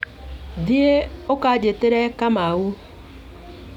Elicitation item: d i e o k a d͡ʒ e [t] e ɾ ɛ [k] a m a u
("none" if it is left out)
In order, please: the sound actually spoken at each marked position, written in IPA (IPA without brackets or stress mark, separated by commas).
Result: t, k